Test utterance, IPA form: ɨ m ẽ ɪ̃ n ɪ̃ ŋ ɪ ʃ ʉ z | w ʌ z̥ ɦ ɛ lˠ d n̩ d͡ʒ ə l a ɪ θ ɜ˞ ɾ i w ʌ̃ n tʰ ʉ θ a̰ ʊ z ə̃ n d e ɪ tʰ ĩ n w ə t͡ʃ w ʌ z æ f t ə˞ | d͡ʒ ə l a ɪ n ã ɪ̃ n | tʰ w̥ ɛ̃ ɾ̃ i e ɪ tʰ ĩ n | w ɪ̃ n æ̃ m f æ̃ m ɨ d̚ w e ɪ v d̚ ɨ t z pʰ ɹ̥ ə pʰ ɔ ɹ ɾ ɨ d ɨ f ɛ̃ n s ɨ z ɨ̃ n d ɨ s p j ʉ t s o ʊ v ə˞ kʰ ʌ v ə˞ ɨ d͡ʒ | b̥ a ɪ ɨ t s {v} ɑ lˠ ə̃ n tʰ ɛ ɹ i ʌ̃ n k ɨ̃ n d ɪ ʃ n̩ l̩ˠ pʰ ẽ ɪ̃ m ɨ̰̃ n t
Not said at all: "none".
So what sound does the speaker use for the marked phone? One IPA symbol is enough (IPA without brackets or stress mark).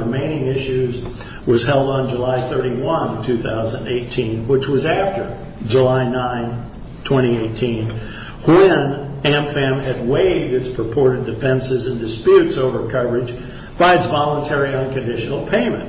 v